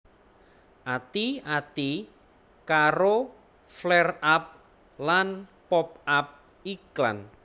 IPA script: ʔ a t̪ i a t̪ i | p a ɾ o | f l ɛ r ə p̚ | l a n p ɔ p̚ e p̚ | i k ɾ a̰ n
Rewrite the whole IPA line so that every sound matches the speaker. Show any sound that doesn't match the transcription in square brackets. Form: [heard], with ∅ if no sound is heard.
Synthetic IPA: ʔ a t̪ i a t̪ i | [k] a ɾ o | f l ɛ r [a] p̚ | l a n p ɔ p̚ [a] p̚ | i k [l] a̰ n